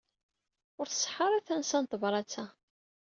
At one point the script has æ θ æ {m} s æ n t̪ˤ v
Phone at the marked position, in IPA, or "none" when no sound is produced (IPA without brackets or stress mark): n